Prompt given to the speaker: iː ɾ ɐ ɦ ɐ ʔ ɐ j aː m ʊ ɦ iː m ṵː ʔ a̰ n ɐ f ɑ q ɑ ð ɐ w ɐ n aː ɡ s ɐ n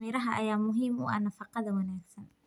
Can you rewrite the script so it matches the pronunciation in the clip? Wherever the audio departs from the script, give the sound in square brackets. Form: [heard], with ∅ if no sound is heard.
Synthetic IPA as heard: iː ɾ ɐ ɦ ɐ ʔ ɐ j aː m ʊ ɦ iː m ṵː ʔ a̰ n ɐ f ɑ q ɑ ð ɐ w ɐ n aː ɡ s ɐ n

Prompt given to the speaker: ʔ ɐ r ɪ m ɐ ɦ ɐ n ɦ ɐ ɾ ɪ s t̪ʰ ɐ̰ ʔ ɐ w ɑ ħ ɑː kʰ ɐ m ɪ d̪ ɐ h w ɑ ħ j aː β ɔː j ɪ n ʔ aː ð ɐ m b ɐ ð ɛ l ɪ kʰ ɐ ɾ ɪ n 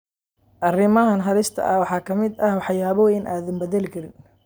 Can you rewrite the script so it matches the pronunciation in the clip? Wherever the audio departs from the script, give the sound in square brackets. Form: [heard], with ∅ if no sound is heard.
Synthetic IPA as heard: ʔ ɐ r ɪ m ɐ ɦ ɐ n ɦ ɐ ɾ ɪ s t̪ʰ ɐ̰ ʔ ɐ w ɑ ħ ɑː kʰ ɐ m ɪ d̪ ɐ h w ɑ ħ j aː β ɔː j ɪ n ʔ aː ð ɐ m b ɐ ð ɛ l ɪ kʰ ɐ ɾ ɪ n

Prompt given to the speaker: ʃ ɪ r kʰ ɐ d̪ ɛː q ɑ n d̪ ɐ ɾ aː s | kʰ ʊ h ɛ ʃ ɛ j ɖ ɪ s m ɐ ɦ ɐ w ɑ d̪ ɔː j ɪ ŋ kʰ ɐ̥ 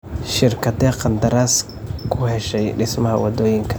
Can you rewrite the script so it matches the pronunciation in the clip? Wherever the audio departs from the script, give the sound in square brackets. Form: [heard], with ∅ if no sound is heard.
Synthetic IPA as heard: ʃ ɪ r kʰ ɐ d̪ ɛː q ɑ n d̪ ɐ ɾ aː s | kʰ ʊ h ɛ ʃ ɛ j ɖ ɪ s m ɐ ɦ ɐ w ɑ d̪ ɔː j ɪ ŋ kʰ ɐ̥

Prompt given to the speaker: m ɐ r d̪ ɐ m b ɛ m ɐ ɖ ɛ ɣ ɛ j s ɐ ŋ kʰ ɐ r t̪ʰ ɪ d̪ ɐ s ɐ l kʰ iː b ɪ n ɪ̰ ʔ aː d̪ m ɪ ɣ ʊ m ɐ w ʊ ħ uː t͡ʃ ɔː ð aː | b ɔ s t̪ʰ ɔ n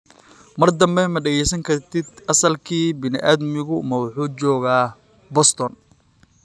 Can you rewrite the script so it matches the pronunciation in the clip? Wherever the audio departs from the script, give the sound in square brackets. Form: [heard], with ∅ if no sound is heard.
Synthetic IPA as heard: m ɐ r d̪ ɐ m b ɛ m ɐ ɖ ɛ ɣ ɛ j s ɐ ŋ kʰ ɐ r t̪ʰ ɪ d̪ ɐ s ɐ l kʰ iː b ɪ n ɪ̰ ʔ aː d̪ m ɪ ɣ ʊ m ɐ w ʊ ħ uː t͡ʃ ɔː [ɣ] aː | b ɔ s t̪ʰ ɔ n

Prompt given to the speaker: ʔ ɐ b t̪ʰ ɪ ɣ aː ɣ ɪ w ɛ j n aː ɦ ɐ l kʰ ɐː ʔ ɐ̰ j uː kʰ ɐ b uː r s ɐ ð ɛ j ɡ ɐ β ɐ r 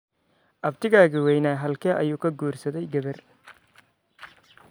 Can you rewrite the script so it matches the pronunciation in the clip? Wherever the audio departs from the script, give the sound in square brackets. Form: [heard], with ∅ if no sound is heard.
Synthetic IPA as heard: ʔ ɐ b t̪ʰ ɪ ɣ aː ɣ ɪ w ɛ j n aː ɦ ɐ l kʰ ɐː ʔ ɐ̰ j uː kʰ ɐ [ɡ] uː r s ɐ ð ɛ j ɡ ɐ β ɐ r

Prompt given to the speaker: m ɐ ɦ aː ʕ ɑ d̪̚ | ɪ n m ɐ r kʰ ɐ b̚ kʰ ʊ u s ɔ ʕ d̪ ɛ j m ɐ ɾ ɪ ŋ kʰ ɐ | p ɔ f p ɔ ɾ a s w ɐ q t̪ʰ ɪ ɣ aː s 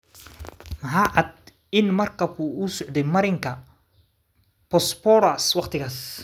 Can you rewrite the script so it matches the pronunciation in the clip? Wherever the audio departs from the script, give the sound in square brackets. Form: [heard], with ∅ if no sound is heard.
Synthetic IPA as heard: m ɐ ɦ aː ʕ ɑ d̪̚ | ɪ n m ɐ r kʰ ɐ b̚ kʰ ʊ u s ɔ ʕ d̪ ɛ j m ɐ ɾ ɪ ŋ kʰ ɐ | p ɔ [s] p ɔ ɾ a s w [ɑ] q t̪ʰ ɪ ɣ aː s

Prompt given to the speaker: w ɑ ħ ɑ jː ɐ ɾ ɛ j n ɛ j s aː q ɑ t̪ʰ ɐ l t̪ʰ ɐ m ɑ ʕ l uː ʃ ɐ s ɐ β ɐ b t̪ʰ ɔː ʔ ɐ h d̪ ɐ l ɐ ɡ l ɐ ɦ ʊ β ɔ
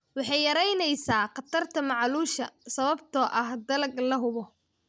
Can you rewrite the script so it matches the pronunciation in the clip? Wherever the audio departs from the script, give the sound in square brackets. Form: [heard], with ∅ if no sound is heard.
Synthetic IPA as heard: w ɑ ħ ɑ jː ɐ ɾ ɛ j n ɛ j s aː q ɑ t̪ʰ ɐ [r] t̪ʰ ɐ m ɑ ʕ l uː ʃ ɐ s ɐ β ɐ b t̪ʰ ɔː ʔ ɐ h d̪ ɐ l ɐ ɡ l ɐ ɦ ʊ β ɔ

